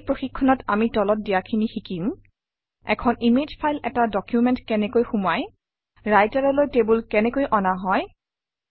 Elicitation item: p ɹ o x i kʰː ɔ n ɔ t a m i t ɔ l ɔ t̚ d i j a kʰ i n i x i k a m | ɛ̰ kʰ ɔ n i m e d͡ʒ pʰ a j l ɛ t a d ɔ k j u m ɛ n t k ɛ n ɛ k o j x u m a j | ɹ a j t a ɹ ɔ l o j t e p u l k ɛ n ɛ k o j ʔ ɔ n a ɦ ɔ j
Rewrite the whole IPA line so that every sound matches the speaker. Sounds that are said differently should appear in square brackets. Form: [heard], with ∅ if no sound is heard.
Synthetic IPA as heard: p ɹ o x i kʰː ɔ n ɔ t a m i t ɔ l ɔ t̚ d i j a kʰ i n i x i k [i] m | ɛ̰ kʰ ɔ n i m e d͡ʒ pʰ a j l ɛ t a d ɔ k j u m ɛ n t k ɛ n ɛ k o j x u m a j | ɹ a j t a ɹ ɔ l o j t e [b] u l k ɛ n ɛ k o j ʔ ɔ n a ɦ ɔ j